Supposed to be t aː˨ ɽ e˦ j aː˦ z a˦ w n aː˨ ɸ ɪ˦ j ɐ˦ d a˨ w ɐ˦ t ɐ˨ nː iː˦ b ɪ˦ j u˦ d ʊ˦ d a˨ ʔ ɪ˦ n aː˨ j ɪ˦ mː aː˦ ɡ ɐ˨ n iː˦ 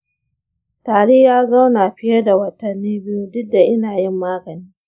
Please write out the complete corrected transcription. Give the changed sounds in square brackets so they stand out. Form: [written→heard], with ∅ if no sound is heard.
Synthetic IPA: t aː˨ ɽ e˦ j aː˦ z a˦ w n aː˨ ɸ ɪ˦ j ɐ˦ d a˨ w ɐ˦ t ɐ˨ nː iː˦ b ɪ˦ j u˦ d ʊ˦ d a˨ ʔ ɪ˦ n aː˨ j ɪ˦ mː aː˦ ɡ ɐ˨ n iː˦

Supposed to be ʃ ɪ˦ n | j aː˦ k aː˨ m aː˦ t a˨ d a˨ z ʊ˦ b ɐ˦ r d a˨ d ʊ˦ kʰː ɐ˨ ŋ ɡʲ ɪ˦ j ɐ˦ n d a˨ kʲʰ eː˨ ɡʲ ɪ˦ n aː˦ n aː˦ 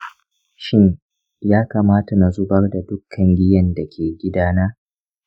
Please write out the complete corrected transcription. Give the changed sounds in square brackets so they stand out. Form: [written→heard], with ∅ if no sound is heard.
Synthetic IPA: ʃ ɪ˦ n | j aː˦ k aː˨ m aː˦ t a˨ [d→n] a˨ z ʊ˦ b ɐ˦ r d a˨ d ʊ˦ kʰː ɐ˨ ŋ ɡʲ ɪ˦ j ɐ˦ n d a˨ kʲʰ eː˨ ɡʲ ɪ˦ [n→d] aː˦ n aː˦

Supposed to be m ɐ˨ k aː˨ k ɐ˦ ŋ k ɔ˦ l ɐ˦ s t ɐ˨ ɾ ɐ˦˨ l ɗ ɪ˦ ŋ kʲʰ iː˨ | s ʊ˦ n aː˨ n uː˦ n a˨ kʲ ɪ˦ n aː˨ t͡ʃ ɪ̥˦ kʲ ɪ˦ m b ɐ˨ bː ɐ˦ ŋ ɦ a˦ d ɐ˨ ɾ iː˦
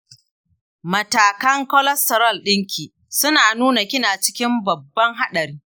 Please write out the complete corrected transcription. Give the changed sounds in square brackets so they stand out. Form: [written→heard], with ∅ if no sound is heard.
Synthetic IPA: m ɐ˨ [k→t] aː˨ k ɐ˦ ŋ k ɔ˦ l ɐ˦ s t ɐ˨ ɾ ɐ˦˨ l ɗ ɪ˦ ŋ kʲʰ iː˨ | s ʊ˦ n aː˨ n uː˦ n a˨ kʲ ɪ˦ n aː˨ t͡ʃ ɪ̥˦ kʲ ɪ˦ m b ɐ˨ bː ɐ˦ ŋ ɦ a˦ [d→ɗ] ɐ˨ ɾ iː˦

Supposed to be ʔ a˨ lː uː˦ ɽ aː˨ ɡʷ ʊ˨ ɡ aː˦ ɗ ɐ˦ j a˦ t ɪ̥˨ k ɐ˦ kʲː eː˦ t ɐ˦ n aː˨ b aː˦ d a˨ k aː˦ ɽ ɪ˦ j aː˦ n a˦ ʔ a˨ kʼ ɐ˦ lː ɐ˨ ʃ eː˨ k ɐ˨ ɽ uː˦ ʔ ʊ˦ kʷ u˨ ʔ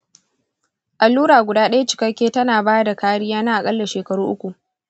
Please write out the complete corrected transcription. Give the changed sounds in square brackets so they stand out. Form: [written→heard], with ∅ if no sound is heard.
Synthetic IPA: ʔ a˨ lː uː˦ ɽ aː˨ ɡʷ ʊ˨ [ɡ→d] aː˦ ɗ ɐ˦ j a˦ [t→t͡ʃ] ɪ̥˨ k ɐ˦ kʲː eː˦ t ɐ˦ n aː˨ b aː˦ d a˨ k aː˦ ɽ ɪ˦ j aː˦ n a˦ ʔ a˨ kʼ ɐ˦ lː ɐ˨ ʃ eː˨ k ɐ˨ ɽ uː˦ ʔ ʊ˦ kʷ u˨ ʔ

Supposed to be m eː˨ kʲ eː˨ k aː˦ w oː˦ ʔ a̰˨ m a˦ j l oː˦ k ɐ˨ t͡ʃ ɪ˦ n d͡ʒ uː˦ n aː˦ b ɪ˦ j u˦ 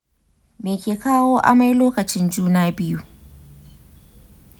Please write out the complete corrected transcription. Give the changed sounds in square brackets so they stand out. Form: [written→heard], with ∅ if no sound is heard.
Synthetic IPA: m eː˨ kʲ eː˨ k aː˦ w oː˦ ʔ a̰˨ m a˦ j l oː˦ k ɐ˨ t͡ʃ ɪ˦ n d͡ʒ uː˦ n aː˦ b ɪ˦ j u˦

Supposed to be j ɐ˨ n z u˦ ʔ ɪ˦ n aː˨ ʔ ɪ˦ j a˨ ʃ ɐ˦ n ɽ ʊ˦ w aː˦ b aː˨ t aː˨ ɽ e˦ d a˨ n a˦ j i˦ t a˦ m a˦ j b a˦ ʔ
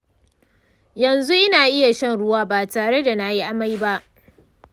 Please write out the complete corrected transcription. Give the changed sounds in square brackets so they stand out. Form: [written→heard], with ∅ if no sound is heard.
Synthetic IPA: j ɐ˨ n z u˦ ʔ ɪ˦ n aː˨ ʔ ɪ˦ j a˨ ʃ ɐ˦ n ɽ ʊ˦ w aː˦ b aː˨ t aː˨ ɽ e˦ d a˨ n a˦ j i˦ [t→ʔ] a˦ m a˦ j b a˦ ʔ

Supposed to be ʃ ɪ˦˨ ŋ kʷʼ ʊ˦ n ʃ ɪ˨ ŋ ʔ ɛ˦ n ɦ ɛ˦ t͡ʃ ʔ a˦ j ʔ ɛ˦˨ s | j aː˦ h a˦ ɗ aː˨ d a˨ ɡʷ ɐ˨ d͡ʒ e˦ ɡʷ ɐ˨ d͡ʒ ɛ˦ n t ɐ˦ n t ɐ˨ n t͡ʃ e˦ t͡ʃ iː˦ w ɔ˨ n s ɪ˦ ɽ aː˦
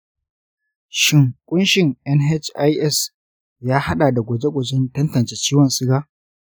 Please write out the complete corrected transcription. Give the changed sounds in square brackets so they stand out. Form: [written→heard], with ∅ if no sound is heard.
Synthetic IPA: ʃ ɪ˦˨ ŋ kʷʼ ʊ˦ n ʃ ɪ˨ ŋ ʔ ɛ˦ n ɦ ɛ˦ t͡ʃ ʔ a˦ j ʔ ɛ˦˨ s | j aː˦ h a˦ ɗ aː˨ d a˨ ɡʷ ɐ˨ d͡ʒ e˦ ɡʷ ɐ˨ d͡ʒ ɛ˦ n t ɐ˦ n t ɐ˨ n t͡ʃ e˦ t͡ʃ iː˦ w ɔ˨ n s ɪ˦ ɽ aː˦

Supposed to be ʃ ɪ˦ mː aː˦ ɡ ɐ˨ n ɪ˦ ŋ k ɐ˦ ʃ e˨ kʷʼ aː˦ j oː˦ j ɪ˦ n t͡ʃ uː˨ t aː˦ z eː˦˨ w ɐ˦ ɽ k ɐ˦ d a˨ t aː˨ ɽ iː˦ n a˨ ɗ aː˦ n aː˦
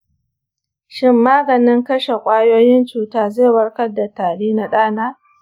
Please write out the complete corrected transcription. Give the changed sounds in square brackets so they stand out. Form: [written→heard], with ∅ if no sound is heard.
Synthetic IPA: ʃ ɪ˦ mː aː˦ ɡ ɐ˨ n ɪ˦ ŋ k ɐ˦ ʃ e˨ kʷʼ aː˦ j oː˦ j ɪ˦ n t͡ʃ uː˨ t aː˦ z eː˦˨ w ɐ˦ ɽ k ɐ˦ d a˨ t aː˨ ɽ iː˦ n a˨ ɗ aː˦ n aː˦

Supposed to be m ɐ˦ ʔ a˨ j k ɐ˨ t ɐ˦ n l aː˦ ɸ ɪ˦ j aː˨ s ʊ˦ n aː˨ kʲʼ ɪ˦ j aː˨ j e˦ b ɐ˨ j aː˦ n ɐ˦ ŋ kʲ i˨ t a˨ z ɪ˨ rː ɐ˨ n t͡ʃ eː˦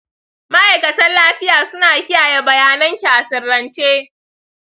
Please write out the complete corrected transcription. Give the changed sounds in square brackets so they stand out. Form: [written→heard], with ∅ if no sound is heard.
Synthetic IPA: m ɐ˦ ʔ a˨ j k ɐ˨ t ɐ˦ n l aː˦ ɸ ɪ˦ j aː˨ s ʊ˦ n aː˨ [kʲʼ→kʲ] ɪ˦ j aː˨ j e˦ b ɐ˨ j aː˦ n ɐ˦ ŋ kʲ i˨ [t→ʔ] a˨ [z→s] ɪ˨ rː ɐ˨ n t͡ʃ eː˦

